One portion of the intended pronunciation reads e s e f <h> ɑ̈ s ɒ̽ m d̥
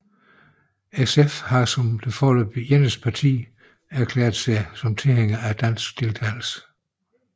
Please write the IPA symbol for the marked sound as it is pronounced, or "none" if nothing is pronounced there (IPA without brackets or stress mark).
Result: h